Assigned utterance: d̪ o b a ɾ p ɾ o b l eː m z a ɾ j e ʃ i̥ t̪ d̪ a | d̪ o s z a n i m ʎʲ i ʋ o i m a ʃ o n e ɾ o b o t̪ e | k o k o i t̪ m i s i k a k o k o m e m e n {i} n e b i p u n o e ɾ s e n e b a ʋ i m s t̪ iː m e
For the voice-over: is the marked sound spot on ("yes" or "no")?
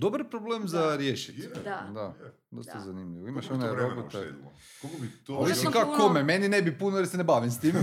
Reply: yes